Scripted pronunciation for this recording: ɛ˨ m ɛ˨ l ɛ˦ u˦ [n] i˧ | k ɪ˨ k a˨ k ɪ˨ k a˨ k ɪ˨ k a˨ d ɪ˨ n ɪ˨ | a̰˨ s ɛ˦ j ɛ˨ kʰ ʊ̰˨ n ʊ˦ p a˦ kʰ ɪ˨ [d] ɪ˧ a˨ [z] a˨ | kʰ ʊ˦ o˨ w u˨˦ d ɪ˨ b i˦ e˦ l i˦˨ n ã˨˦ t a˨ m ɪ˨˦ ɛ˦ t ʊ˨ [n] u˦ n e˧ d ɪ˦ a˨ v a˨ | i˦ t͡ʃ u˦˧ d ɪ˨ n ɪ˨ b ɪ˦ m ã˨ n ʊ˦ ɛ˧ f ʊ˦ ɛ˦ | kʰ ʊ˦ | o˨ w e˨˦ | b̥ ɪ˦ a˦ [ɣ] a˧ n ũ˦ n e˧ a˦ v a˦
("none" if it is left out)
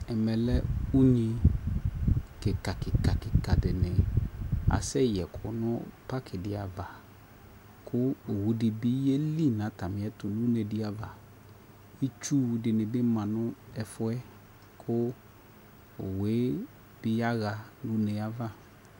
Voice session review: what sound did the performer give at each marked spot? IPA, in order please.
ɲ, d, v, n, ɣ

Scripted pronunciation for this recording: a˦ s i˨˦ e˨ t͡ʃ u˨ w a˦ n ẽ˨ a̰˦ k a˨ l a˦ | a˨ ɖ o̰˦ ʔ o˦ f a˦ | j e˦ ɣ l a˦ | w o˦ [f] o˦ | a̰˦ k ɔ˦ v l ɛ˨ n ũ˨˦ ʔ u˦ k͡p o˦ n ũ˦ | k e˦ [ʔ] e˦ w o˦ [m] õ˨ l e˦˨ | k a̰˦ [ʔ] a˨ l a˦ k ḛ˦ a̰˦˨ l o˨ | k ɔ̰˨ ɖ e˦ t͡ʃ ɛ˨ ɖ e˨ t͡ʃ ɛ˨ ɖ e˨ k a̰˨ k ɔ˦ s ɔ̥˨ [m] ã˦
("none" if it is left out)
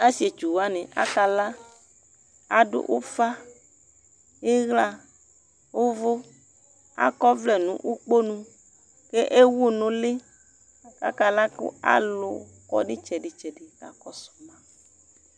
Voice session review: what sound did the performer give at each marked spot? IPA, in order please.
v, ʔ, n, k, m

